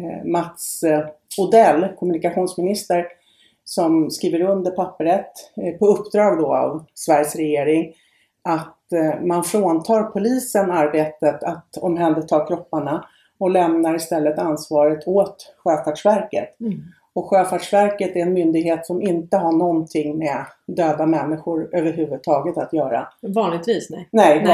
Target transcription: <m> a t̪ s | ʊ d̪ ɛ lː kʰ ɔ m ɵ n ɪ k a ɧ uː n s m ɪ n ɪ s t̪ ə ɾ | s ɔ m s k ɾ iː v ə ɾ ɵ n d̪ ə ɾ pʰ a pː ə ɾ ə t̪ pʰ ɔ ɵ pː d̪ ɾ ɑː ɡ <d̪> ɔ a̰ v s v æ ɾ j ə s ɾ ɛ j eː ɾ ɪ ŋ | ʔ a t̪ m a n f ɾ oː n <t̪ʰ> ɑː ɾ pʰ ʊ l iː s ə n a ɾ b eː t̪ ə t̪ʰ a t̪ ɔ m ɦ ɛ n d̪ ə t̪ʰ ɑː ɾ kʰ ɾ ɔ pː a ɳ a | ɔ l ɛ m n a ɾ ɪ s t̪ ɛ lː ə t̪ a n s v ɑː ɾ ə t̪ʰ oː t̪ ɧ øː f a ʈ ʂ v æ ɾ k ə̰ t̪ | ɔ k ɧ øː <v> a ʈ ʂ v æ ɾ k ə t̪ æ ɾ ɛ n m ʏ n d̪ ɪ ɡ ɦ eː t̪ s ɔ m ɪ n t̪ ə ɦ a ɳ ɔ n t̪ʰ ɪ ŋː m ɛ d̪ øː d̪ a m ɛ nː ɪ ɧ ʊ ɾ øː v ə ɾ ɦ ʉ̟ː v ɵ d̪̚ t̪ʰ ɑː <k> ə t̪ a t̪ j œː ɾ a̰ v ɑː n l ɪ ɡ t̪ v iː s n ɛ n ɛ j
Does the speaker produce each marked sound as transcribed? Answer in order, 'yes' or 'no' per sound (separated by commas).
yes, yes, yes, no, no